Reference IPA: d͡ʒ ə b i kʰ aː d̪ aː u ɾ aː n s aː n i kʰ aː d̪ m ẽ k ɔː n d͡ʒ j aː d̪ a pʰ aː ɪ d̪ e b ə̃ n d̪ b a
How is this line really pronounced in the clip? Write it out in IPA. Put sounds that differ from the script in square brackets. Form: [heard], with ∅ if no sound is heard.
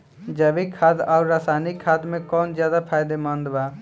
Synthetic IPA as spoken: d͡ʒ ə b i kʰ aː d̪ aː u ɾ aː [∅] s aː n i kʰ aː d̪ m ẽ k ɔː n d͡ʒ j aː d̪ a pʰ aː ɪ d̪ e [m] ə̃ n d̪ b a